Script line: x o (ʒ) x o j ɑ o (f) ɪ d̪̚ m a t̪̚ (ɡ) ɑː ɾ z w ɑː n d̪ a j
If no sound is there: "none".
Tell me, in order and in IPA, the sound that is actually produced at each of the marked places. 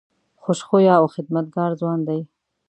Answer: ʃ, x, ɡ

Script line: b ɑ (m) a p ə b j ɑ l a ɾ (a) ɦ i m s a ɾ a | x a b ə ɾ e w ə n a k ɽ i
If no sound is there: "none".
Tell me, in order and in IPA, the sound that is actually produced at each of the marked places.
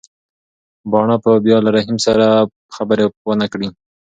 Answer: ɳ, a

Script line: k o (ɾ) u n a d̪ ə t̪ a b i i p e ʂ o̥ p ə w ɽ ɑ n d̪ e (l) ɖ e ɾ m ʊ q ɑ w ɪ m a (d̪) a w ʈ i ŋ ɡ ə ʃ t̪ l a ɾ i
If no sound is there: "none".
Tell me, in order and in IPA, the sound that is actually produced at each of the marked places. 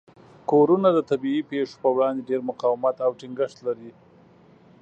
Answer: ɾ, none, t̪

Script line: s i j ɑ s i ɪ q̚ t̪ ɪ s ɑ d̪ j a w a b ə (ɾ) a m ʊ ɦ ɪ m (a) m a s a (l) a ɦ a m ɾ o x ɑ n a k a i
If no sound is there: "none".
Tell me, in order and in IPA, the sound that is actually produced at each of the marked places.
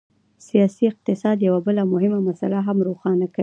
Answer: l, a, l

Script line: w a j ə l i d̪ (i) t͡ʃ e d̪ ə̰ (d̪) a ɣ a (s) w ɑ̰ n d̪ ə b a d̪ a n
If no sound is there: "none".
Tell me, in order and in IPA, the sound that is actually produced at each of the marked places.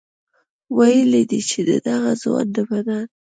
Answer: i, d̪, z

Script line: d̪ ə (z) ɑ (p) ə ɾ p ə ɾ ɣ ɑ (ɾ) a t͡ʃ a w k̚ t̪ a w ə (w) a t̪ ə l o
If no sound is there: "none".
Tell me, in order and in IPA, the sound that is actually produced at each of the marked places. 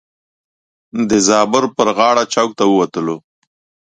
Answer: z, b, ɽ, w

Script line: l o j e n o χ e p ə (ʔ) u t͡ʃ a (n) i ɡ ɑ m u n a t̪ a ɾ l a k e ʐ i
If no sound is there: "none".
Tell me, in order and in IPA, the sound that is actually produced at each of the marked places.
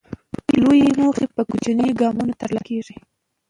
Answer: k, n

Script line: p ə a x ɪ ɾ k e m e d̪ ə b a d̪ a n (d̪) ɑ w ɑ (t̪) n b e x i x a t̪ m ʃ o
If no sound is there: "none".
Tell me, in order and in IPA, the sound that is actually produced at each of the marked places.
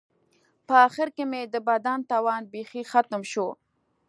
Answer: t̪, none

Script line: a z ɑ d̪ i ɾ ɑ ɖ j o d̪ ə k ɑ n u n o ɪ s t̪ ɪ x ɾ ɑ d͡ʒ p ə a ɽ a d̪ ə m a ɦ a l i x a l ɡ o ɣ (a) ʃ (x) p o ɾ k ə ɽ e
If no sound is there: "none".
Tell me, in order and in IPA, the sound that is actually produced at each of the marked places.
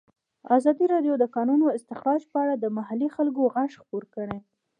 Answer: a, x

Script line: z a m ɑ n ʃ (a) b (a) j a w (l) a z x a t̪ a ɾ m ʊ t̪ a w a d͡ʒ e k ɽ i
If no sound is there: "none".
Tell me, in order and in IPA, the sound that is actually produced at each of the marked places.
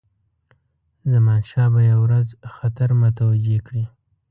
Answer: ɑ, a, ɾ

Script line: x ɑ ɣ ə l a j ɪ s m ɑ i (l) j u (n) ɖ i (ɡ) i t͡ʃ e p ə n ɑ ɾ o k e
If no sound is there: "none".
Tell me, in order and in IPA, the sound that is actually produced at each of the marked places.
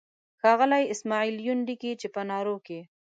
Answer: l, n, k

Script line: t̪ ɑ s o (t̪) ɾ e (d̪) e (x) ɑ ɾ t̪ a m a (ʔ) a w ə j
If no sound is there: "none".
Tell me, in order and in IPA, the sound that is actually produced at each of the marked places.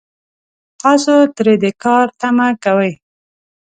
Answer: t̪, d̪, k, k

